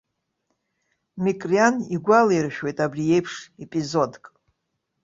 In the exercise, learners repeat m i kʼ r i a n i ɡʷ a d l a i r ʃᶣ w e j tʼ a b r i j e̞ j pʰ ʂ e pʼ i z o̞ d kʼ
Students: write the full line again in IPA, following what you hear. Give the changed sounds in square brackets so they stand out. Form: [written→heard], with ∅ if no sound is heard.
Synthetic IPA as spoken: m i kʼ r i a n i ɡʷ a [d→∅] l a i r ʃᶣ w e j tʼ a b r i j e̞ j pʰ ʂ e pʼ i z o̞ d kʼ